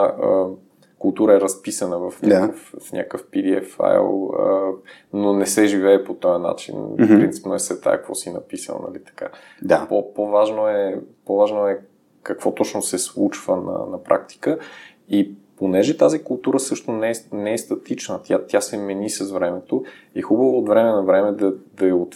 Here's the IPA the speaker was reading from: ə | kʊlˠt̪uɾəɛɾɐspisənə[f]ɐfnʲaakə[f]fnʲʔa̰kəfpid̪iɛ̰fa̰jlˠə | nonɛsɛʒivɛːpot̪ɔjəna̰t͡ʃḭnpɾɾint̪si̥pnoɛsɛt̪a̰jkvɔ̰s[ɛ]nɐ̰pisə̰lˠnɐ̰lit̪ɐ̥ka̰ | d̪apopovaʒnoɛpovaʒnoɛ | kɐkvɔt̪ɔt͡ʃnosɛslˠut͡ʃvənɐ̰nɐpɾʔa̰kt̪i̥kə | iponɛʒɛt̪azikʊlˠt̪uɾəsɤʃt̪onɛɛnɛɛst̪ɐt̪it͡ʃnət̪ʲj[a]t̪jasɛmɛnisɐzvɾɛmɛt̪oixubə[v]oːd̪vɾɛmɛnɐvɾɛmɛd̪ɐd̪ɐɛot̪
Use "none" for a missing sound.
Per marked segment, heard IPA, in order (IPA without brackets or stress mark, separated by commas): v, f, i, a, v